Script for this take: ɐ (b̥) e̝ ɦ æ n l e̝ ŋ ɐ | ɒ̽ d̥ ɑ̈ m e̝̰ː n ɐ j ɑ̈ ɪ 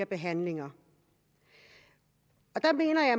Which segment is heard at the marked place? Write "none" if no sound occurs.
b̥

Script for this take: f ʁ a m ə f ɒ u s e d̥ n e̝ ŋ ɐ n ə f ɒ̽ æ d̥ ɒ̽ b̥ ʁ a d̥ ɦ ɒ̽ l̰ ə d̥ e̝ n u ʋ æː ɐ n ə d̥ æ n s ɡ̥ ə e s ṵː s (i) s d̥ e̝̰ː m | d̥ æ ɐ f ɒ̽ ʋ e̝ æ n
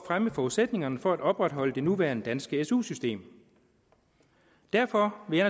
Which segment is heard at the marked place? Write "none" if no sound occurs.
y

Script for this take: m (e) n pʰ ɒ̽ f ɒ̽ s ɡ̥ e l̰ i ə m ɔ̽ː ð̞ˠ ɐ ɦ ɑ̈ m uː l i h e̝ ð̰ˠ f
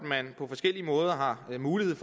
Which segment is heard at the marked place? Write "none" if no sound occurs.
æ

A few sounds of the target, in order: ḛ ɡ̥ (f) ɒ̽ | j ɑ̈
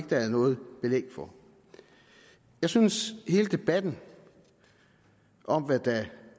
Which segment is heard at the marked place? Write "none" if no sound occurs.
f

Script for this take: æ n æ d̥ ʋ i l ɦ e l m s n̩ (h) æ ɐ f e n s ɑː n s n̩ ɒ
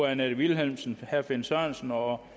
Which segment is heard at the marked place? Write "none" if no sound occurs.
h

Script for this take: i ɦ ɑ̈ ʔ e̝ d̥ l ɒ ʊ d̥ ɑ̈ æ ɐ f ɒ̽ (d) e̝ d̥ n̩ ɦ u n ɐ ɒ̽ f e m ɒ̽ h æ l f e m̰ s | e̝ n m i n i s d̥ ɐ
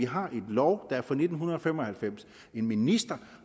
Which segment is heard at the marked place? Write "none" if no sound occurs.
n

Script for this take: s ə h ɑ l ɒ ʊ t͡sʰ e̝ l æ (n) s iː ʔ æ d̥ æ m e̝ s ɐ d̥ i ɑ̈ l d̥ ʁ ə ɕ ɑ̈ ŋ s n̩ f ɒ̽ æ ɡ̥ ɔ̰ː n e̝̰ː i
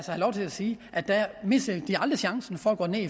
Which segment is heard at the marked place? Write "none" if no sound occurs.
none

